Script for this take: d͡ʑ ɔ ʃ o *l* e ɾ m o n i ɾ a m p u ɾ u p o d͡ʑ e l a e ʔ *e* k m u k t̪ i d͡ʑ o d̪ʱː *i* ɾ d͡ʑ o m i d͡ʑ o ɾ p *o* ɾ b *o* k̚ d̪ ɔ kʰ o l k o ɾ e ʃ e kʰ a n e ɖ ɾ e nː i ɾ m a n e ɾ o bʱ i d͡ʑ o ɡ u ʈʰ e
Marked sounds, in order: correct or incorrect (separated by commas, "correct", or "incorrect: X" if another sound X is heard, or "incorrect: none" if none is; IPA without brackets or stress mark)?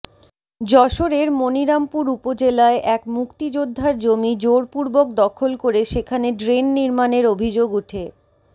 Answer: incorrect: ɾ, incorrect: ɛ, incorrect: a, incorrect: u, correct